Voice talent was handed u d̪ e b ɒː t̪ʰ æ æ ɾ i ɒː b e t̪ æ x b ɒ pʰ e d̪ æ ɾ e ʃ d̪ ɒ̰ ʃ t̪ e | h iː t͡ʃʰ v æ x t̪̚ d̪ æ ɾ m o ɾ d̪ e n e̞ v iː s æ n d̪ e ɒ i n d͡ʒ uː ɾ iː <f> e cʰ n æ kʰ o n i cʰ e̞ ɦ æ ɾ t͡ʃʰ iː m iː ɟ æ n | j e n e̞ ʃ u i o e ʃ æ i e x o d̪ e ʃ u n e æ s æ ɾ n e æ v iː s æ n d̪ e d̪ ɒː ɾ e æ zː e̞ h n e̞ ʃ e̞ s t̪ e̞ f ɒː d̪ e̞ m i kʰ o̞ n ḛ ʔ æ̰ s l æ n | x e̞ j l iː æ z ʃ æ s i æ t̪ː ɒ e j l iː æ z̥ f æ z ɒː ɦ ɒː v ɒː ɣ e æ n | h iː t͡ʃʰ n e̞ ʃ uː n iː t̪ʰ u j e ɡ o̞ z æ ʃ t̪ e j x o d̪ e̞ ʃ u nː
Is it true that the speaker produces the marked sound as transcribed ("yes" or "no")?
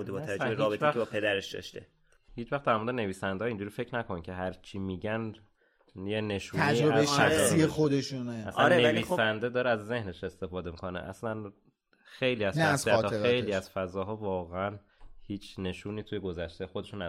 yes